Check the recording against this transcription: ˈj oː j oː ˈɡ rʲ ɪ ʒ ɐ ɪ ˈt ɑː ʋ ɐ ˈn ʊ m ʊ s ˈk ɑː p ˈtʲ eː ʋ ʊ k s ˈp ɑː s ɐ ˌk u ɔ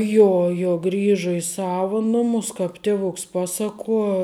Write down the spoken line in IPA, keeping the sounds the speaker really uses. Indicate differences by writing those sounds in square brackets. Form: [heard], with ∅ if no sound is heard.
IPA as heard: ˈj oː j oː ˈɡ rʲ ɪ ʒ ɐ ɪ [ˈs] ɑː ʋ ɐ ˈn ʊ m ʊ s ˈk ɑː p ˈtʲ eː ʋ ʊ k s ˈp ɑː s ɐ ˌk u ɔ